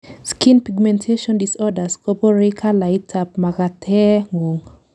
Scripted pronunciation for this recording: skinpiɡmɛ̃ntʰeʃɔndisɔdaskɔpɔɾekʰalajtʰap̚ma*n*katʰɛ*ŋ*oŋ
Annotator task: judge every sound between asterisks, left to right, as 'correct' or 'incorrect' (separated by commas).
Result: incorrect, correct